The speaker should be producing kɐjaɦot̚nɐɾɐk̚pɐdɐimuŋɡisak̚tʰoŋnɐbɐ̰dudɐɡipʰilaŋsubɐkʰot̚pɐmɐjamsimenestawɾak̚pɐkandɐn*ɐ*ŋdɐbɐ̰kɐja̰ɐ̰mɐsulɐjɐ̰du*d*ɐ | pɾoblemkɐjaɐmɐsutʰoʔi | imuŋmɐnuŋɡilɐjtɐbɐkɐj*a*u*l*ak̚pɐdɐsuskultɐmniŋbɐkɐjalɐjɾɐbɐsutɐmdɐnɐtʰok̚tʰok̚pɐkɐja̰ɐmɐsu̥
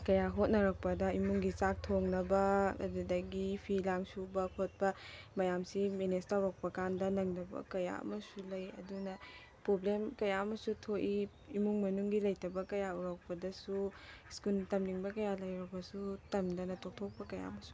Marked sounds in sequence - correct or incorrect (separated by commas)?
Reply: correct, incorrect, correct, incorrect